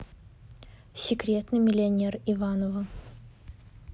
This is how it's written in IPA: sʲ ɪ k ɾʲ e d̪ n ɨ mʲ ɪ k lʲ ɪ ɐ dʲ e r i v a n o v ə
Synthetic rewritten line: sʲ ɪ k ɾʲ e t̪ n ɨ mʲ ɪ lʲ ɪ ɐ nʲ e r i v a n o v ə